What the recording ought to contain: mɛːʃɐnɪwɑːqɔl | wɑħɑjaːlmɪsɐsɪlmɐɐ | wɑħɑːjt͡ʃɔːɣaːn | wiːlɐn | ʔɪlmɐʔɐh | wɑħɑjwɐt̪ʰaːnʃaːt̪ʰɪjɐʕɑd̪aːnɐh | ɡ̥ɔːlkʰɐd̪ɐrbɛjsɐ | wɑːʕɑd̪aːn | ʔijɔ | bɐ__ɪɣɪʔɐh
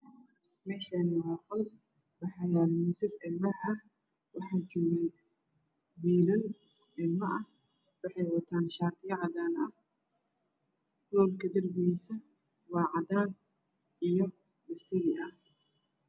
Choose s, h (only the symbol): s